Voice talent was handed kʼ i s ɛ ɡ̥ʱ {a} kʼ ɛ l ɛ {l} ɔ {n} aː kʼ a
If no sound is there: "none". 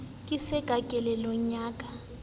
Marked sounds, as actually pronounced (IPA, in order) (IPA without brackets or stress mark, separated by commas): a, l, ɲ